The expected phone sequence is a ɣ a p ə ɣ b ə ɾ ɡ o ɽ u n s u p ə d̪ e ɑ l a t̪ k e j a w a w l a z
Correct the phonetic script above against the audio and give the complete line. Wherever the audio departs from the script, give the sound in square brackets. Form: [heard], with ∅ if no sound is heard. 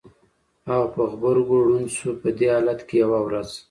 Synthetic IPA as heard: a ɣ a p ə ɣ b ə ɾ ɡ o ɽ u n s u p ə d̪ e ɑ l a t̪ k e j a w a w [ɾ] a z